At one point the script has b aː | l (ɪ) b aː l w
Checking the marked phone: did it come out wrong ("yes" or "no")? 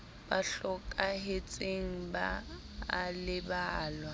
no